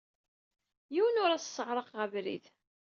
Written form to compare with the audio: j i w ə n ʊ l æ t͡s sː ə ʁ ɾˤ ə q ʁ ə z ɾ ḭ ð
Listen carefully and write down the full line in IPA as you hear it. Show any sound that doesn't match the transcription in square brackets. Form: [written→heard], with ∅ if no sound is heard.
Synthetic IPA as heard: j i w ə n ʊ [l→ɾ] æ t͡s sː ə ʁ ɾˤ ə q ʁ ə [z→v] ɾ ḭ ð